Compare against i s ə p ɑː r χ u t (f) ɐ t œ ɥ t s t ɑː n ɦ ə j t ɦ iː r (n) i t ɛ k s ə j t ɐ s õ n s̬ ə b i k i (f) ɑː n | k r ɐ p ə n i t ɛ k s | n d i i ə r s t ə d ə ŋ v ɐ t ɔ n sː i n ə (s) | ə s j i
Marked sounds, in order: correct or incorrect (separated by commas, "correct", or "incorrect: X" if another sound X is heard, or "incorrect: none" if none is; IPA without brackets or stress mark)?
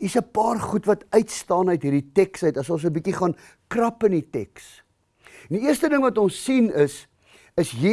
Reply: incorrect: v, incorrect: d, incorrect: χ, correct